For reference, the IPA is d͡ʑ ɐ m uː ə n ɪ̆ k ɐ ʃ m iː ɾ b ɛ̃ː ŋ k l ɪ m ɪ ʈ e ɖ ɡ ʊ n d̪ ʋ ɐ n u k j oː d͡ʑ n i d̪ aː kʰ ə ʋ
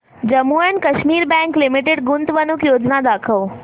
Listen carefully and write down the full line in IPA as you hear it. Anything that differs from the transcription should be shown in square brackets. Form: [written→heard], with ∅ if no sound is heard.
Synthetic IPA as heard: d͡ʑ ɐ m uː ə n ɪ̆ k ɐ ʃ m iː ɾ b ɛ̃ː ŋ k l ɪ m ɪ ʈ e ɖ ɡ ʊ n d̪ ʋ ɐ n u k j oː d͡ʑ n [i→a] d̪ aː kʰ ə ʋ